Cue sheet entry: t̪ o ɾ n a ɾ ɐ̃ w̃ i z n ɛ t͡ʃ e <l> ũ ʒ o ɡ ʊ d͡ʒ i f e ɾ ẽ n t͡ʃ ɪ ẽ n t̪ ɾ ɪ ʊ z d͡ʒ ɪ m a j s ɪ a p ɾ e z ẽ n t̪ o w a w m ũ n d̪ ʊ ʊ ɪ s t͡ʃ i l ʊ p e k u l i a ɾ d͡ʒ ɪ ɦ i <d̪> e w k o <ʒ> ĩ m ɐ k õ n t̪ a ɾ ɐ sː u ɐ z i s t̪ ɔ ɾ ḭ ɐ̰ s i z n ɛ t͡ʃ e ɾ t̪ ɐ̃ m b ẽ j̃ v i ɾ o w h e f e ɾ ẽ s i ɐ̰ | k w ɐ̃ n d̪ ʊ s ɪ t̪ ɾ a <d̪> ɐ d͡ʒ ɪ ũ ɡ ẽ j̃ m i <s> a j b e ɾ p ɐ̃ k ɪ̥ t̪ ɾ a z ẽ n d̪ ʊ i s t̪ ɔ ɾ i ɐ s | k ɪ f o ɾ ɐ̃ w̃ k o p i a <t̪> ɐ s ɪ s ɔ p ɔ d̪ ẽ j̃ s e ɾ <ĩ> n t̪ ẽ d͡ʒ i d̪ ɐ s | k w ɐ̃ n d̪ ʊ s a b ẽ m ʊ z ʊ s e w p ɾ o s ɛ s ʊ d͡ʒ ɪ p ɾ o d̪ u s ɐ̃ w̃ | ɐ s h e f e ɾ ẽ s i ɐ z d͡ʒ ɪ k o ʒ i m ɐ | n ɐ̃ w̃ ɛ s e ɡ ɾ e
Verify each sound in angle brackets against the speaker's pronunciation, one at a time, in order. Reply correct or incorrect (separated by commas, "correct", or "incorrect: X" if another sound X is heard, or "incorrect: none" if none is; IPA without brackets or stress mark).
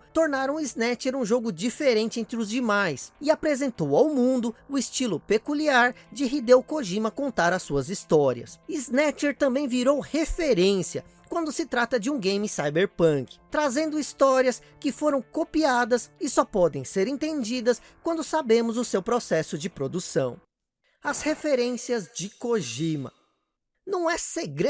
incorrect: ɾ, correct, correct, incorrect: t̪, correct, incorrect: d̪, incorrect: ẽ